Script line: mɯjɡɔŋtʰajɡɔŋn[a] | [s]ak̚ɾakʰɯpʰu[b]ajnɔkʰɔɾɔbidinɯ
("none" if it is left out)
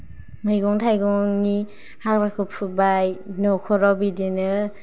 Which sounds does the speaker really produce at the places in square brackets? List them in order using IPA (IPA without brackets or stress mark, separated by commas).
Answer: i, h, b